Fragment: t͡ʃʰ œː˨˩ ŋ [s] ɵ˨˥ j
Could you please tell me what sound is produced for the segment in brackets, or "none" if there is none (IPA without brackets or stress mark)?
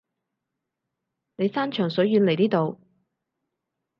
s